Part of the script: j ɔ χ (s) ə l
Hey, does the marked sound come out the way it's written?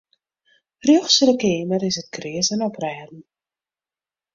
yes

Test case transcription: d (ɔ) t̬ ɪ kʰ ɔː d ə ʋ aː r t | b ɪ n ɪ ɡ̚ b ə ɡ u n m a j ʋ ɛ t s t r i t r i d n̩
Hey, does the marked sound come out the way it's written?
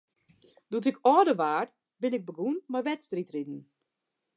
no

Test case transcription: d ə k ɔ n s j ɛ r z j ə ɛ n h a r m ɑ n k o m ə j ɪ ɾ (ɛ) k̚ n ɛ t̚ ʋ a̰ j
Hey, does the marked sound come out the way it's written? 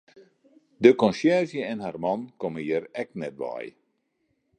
yes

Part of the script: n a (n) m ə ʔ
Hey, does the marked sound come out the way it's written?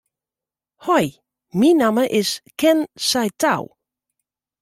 no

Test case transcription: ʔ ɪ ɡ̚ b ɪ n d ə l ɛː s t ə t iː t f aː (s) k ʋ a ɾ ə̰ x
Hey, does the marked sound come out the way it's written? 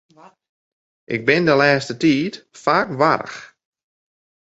no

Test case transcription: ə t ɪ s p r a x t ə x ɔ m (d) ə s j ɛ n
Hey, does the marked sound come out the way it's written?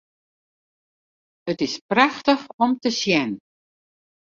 no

